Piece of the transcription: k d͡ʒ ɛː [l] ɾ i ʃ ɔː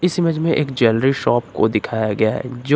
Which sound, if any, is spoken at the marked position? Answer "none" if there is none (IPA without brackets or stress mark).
l